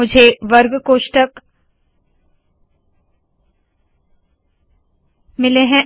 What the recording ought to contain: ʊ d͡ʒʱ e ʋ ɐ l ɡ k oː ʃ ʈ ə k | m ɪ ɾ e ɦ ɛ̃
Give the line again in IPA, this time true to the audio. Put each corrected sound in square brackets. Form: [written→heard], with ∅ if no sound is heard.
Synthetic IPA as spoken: ʊ d͡ʒʱ e ʋ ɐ [l→ɾ] ɡ k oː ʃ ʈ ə k | m ɪ [ɾ→l] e ɦ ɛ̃